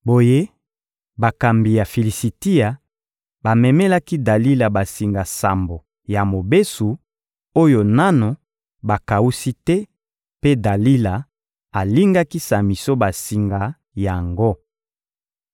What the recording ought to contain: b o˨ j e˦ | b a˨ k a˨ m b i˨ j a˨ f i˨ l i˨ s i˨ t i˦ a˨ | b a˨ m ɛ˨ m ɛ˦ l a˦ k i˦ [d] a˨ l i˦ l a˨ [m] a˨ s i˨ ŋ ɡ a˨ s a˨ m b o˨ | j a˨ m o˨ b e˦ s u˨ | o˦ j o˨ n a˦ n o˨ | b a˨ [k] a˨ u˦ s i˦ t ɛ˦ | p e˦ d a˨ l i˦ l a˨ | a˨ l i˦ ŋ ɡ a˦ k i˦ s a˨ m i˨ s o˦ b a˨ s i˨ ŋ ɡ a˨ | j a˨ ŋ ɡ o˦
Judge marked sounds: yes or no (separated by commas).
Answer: yes, no, yes